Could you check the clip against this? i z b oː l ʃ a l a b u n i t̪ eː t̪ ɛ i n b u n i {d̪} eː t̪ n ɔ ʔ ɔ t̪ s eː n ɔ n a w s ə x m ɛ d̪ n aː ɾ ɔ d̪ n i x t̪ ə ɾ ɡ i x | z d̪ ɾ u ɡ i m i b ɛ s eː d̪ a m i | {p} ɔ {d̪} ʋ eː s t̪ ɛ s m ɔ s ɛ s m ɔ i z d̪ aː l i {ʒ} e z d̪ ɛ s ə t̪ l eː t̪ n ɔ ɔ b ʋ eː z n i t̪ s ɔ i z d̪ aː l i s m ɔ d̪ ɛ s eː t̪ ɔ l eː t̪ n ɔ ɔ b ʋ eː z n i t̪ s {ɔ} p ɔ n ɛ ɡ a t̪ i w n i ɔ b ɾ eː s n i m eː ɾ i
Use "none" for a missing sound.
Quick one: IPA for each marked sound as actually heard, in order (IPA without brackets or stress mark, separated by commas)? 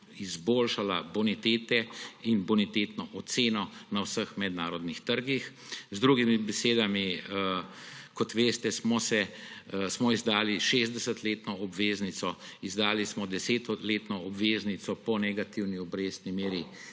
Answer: t̪, k, t̪, ʃ, ɔ